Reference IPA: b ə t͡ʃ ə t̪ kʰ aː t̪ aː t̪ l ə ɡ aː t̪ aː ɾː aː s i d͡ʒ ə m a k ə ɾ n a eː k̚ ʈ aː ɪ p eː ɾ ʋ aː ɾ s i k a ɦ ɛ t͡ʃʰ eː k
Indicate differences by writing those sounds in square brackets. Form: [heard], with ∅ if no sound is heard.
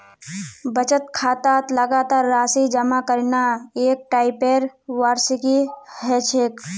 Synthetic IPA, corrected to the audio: b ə t͡ʃ ə t̪ kʰ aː t̪ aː t̪ l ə ɡ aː t̪ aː ɾː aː s i d͡ʒ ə m a k ə ɾ n a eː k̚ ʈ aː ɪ p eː ɾ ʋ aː ɾ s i k [i] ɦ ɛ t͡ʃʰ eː k